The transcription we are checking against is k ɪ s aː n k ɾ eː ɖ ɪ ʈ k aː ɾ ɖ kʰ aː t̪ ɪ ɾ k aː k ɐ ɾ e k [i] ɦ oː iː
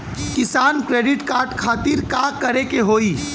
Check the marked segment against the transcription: incorrect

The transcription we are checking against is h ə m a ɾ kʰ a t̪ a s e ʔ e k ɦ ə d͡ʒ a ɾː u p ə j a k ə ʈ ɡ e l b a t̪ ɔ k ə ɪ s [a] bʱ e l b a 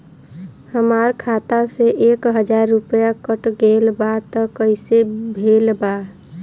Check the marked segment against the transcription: incorrect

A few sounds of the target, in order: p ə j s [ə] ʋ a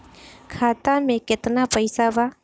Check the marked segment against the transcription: incorrect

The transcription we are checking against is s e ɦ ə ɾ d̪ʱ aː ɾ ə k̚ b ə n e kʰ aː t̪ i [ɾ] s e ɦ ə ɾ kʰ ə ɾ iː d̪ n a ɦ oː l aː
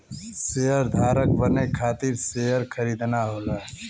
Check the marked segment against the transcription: correct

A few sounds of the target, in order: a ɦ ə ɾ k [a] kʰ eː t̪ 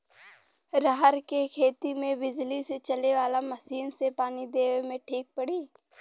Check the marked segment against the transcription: incorrect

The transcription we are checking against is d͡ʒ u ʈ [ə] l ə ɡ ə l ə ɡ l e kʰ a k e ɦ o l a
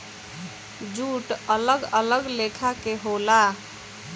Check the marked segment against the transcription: correct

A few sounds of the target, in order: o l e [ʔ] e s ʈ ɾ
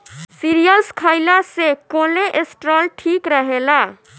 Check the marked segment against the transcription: correct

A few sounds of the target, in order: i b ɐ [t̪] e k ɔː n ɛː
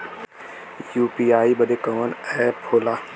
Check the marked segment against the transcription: incorrect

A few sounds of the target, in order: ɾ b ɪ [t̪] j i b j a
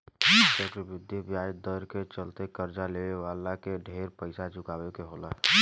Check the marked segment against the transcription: incorrect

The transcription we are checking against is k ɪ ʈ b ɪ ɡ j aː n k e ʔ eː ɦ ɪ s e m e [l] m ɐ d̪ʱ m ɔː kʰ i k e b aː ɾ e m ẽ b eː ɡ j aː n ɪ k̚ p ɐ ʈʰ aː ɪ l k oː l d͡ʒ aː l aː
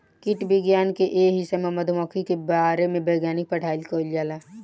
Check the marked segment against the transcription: incorrect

